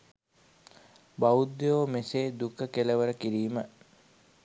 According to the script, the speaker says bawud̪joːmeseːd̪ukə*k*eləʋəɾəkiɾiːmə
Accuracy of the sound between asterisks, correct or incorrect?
correct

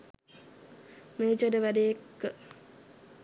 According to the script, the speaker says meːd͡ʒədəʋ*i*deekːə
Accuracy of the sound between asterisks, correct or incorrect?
incorrect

